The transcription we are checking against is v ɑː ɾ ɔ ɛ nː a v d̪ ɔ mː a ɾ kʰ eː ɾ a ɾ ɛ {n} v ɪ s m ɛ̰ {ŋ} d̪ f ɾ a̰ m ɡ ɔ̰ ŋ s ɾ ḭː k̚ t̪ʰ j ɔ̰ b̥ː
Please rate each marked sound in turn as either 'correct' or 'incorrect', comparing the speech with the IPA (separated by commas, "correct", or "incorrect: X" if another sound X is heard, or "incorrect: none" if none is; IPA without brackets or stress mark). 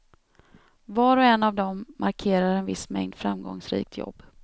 correct, correct